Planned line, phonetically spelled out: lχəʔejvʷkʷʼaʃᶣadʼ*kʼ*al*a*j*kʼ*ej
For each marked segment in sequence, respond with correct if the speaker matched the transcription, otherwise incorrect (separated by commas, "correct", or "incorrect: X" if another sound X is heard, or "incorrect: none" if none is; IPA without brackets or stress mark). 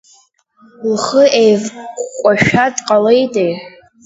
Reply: incorrect: qʼ, incorrect: e, incorrect: tʼ